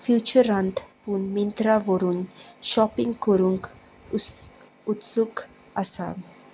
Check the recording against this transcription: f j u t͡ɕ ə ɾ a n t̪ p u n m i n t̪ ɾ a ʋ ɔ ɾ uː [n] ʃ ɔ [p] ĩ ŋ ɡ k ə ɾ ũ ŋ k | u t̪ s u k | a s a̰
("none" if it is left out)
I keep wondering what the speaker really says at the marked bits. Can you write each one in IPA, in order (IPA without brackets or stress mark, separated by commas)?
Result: n, p